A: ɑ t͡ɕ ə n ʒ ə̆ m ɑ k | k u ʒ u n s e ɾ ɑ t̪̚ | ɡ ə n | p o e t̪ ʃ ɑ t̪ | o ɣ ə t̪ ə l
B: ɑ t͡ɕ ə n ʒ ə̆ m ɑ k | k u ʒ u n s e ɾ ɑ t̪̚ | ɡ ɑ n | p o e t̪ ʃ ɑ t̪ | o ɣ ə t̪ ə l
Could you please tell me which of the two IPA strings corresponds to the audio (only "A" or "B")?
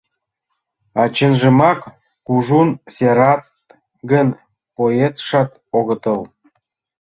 A